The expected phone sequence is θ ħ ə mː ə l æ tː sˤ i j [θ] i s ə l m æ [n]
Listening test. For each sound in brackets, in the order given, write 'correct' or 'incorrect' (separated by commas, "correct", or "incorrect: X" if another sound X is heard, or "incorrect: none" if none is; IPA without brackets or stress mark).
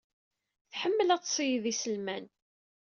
incorrect: ð, correct